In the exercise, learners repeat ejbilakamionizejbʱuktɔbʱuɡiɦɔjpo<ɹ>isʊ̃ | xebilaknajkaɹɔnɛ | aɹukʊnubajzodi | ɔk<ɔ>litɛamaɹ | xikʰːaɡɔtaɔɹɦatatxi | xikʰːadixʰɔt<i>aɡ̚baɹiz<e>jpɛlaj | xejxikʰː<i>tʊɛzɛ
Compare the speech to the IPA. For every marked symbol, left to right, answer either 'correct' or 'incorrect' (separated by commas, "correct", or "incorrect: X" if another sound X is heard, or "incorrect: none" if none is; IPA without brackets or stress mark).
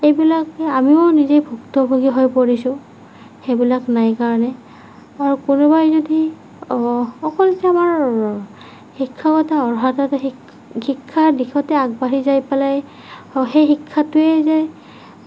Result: correct, correct, incorrect: ɛ, incorrect: a, incorrect: a